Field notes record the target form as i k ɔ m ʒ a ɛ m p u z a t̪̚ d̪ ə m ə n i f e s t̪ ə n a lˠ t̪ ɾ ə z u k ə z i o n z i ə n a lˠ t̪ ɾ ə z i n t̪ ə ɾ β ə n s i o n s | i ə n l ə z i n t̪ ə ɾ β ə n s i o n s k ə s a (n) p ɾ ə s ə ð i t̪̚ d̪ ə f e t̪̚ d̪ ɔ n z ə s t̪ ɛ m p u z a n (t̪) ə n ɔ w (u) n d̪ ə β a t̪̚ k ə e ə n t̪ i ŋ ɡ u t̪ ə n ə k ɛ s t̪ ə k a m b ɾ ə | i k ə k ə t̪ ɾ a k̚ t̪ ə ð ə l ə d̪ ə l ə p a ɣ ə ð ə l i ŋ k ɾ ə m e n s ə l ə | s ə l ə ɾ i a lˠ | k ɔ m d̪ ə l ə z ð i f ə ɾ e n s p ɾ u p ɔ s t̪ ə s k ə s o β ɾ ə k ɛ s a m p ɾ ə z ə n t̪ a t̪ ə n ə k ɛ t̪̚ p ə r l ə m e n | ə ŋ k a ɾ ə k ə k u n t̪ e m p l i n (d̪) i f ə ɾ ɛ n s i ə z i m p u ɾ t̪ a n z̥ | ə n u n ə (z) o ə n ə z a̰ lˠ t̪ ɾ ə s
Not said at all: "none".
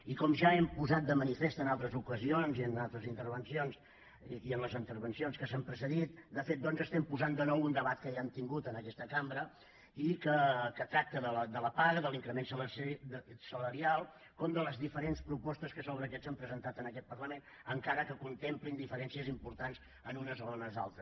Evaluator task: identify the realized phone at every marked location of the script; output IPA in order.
m, d̪, u, d̪, z

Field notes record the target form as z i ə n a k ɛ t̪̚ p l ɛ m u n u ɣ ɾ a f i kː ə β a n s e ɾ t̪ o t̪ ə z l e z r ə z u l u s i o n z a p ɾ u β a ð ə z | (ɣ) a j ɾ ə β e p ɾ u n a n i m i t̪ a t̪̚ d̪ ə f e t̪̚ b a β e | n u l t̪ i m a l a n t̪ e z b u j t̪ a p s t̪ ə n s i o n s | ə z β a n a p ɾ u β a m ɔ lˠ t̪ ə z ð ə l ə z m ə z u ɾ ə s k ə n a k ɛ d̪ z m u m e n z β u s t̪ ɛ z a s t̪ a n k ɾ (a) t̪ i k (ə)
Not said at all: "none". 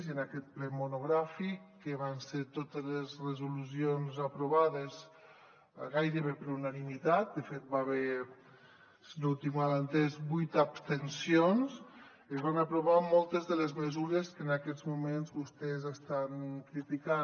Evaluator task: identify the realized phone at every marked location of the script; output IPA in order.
ɣ, i, a

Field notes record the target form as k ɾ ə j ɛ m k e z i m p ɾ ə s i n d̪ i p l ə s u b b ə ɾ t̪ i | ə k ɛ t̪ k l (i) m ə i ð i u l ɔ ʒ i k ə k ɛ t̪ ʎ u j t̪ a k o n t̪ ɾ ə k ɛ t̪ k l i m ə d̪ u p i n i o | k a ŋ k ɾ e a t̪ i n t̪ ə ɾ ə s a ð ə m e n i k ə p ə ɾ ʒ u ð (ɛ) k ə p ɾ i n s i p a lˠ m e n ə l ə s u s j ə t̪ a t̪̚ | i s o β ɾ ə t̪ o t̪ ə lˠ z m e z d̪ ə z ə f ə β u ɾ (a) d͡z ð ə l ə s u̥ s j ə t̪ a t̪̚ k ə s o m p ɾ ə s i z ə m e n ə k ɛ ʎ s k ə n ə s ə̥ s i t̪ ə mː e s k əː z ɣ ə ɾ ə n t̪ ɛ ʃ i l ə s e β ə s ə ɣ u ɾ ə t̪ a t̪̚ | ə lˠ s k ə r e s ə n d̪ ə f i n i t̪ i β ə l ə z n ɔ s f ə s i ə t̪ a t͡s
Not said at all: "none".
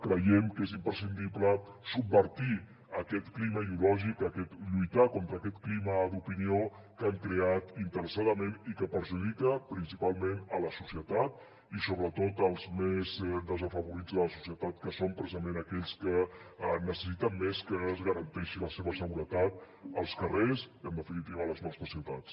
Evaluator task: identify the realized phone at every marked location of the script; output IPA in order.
i, i, i

